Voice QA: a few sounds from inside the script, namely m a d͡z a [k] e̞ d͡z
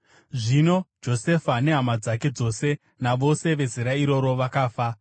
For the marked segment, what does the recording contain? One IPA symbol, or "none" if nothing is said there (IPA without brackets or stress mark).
k